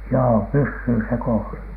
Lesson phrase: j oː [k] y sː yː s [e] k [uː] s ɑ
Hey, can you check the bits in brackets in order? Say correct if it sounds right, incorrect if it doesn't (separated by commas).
incorrect, correct, incorrect